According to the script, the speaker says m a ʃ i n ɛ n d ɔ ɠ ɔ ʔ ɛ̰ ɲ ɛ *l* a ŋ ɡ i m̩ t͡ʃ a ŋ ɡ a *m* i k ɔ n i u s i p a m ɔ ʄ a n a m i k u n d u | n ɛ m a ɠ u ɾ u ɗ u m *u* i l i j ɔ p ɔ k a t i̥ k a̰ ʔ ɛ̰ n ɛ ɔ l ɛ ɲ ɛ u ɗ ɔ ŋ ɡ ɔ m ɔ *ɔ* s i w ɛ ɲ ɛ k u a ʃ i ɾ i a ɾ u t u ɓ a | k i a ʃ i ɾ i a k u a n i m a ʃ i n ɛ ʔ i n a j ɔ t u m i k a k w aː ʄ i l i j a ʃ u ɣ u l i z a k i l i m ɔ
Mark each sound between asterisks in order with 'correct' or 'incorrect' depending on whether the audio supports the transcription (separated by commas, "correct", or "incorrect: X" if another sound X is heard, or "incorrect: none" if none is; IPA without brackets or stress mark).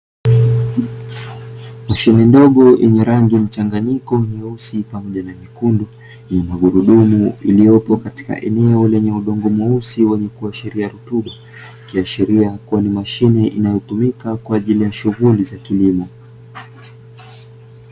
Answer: incorrect: ɾ, incorrect: ɲ, correct, incorrect: u